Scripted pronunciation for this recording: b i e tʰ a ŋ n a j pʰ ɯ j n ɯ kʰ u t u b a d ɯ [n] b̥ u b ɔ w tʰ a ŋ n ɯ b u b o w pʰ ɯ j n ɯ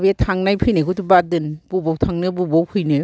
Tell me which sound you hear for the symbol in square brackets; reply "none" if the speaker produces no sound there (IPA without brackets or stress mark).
n